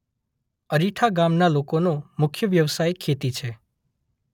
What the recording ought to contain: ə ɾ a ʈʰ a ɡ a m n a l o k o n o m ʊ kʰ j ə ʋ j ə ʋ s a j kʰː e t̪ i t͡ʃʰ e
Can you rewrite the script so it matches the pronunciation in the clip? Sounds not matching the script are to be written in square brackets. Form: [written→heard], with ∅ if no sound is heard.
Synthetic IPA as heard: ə ɾ [a→i] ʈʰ a ɡ a m n a l o k o n o m ʊ kʰ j ə ʋ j ə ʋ s a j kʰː e t̪ i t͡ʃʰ e